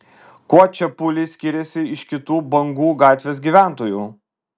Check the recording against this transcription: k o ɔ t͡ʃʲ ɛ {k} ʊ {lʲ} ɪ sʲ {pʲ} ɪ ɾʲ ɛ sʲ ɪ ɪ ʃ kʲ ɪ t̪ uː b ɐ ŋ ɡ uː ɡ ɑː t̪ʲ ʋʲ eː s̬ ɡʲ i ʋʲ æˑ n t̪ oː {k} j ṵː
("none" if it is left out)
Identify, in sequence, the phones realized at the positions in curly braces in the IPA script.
p, lʲ, kʲ, none

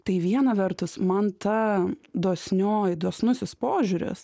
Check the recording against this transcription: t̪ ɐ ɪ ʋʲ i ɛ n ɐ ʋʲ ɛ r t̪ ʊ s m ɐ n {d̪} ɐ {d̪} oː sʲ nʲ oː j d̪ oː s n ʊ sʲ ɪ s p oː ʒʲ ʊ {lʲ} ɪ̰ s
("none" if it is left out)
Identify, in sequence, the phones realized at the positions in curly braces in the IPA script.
t̪, d̪, ɾʲ

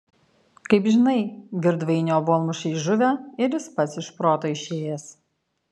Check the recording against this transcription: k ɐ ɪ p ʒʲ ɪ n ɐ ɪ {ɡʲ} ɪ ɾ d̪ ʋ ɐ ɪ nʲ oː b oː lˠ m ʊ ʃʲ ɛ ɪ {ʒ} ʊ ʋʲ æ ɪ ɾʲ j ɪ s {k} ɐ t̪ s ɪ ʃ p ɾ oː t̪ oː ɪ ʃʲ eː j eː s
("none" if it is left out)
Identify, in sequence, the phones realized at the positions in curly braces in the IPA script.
ɡʲ, ʒ, p

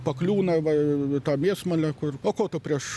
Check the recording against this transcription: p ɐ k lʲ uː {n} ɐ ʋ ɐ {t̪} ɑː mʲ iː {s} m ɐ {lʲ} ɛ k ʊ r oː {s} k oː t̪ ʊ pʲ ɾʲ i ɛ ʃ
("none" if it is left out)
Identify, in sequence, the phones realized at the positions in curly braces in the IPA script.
n, t̪, s, lʲ, none

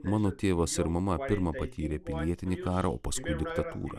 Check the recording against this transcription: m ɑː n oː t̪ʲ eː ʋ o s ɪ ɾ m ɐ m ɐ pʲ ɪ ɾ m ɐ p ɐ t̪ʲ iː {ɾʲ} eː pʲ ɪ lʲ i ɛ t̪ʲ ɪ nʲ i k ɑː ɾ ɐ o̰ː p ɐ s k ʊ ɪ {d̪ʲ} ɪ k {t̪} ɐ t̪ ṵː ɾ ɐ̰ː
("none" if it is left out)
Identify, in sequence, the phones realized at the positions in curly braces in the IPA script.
ɾʲ, d̪ʲ, t̪

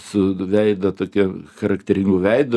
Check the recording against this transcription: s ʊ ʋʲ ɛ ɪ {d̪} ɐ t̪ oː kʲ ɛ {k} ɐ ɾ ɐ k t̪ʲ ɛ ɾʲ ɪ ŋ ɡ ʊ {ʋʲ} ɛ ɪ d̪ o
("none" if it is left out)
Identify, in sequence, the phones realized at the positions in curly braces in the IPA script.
d̪, x, ʋʲ

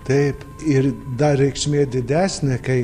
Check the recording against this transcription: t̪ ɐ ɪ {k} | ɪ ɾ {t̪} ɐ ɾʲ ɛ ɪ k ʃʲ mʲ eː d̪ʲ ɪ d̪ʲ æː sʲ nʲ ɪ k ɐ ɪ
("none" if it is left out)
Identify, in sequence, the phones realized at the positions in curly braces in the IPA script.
p, d̪

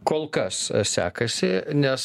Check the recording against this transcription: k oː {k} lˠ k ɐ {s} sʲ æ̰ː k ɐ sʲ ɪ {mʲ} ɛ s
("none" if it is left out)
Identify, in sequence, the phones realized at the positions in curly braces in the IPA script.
none, s, nʲ

